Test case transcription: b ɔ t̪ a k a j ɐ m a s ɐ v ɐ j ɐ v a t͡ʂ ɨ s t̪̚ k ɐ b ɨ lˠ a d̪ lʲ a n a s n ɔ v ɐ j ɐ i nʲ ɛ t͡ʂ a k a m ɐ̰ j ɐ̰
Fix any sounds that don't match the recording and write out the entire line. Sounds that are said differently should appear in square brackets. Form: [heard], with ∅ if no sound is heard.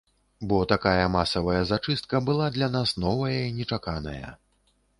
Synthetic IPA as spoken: b ɔ t̪ a k a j ɐ m a s ɐ v ɐ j ɐ [z] a t͡ʂ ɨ s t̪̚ k ɐ b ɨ lˠ a d̪ lʲ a n a s n ɔ v ɐ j ɐ i nʲ ɛ t͡ʂ a k a [n] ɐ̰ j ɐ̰